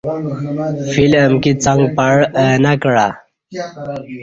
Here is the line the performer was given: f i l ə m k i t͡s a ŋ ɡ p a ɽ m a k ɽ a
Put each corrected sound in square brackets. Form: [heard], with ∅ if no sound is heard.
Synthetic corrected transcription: f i l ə m k i t͡s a ŋ ɡ p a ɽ [n] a k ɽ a